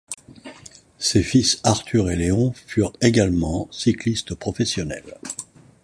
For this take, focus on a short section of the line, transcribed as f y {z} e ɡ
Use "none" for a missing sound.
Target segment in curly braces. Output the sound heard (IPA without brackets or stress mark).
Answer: ʁ